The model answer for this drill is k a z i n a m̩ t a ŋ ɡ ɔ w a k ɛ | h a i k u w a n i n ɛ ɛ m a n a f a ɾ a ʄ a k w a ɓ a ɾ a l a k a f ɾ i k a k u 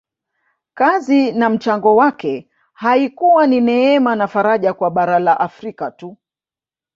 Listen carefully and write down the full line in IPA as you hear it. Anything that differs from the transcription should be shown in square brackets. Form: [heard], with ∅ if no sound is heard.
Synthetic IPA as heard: k a z i n a m̩ [t͡ʃ] a ŋ ɡ ɔ w a k ɛ | h a i k u w a n i n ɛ ɛ m a n a f a ɾ a ʄ a k w a ɓ a ɾ a l a [ʔ] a f ɾ i k a [t] u